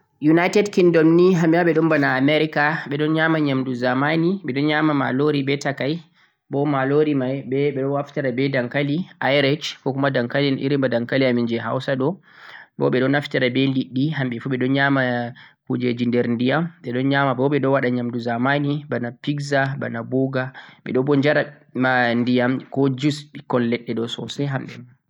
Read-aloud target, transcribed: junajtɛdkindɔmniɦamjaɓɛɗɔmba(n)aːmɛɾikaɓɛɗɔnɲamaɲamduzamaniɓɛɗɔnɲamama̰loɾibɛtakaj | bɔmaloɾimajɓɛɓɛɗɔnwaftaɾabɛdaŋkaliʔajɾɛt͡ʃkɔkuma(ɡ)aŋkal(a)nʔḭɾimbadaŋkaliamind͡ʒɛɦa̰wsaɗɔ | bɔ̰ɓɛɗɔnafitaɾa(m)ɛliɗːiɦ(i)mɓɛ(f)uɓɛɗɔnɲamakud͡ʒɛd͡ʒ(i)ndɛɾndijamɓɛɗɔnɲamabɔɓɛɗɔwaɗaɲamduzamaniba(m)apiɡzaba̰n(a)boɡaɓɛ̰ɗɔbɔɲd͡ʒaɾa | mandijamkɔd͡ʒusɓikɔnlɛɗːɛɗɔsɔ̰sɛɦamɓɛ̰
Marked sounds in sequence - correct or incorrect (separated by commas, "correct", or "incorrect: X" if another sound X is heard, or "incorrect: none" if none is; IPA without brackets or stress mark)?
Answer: correct, incorrect: d, incorrect: i, incorrect: b, incorrect: a, correct, correct, incorrect: n, correct